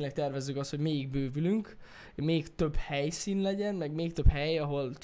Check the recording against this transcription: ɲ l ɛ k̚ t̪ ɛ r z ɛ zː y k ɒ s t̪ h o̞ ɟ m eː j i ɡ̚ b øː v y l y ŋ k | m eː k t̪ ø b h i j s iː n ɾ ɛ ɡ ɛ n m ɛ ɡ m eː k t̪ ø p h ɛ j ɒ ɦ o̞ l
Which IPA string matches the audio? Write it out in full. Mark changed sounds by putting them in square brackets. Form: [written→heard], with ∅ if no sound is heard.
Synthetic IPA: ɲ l ɛ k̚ t̪ ɛ r [z→v] ɛ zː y k ɒ s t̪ h o̞ ɟ m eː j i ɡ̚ b øː v y l y ŋ k | m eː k t̪ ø b h [i→ɛ] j s iː n [ɾ→l] ɛ [ɡ→ɟ] ɛ n m ɛ ɡ m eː k t̪ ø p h ɛ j ɒ ɦ o̞ l